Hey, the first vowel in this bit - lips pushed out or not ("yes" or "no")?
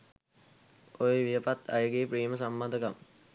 yes